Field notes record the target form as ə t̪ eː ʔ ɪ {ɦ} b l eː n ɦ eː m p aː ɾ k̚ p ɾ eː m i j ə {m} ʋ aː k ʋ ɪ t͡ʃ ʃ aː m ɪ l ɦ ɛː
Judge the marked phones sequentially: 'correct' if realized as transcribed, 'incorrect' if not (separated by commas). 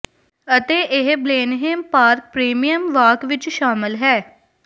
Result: correct, correct